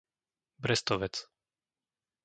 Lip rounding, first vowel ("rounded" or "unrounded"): unrounded